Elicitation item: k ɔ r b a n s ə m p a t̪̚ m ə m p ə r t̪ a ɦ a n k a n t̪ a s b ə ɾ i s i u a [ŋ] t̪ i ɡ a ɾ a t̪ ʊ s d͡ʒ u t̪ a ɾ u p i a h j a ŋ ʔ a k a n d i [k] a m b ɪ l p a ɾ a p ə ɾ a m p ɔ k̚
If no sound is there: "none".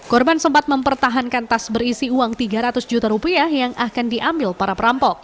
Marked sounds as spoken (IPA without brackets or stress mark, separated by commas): ŋ, ʔ